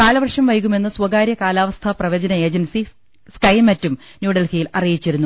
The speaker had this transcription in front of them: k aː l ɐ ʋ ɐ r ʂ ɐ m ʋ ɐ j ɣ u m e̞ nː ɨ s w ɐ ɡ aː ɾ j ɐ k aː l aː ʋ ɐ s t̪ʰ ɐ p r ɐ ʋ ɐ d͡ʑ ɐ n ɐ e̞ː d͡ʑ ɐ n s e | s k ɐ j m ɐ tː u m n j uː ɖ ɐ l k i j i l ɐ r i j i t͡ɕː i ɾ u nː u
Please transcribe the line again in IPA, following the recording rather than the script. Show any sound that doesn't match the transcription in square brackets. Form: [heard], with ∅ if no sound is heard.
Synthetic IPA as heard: k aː l ɐ ʋ ɐ r ʂ ɐ m ʋ ɐ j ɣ u m e̞ nː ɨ s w ɐ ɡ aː ɾ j ɐ k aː l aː ʋ ɐ s t̪ʰ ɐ p r ɐ ʋ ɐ d͡ʑ ɐ n ɐ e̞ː d͡ʑ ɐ n s [i] | s k ɐ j m ɐ tː u m n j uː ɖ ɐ l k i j i l ɐ r i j i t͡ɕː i ɾ u nː u